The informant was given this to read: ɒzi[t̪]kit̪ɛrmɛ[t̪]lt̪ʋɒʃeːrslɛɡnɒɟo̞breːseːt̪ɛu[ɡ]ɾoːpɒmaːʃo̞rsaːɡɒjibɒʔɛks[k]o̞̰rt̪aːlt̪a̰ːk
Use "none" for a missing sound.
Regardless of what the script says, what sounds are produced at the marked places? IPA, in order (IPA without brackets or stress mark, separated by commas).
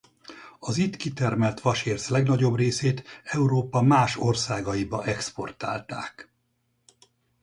t̪, none, none, p